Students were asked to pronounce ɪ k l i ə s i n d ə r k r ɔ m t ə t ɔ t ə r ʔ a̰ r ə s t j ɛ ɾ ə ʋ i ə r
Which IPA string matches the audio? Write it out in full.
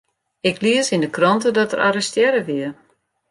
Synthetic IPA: ɪ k l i ə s i n d ə k r ɔ n t ə d ɔ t ə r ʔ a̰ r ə s t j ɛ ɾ ə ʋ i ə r